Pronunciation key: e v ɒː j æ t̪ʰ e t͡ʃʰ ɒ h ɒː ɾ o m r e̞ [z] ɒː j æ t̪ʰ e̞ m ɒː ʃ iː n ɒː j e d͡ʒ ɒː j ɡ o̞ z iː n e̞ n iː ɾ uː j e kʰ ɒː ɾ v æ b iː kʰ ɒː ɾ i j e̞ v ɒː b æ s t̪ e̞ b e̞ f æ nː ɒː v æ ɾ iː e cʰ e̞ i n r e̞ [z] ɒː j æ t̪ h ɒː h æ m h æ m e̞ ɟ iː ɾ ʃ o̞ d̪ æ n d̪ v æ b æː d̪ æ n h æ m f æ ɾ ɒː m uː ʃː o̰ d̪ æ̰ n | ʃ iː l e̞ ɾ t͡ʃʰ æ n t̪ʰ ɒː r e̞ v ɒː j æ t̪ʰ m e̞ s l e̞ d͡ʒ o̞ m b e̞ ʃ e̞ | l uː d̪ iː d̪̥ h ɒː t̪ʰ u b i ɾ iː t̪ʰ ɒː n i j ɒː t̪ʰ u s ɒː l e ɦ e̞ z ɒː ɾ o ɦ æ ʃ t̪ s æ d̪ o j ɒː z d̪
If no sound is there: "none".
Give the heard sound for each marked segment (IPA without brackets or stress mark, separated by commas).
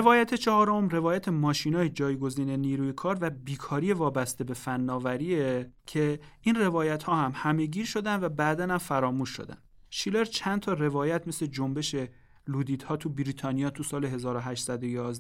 v, v